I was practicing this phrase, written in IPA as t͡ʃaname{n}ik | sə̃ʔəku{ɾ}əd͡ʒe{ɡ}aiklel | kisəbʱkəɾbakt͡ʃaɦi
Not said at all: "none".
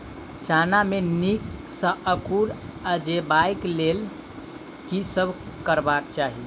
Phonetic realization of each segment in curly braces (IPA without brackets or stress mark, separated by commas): n, ɾ, b